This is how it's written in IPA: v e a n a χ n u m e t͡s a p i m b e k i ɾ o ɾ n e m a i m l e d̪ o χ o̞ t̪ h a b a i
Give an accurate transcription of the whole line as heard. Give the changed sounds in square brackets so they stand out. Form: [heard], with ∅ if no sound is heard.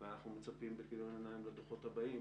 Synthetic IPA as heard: v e a n a χ n u m e t͡s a p i m b e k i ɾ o [∅] n e [n] a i m l e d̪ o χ o̞ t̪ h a b a i